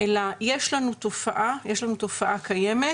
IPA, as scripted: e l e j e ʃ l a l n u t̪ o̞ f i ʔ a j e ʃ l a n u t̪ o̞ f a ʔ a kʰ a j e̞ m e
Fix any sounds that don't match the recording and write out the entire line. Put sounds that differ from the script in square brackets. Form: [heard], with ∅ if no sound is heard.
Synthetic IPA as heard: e l [a] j e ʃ l a [∅] n u t̪ o̞ f [a] ʔ a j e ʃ l a n u t̪ o̞ f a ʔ a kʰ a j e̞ m e